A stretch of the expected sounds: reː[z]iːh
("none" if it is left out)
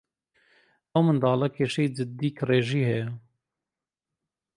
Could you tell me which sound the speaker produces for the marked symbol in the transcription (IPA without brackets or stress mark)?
ʒ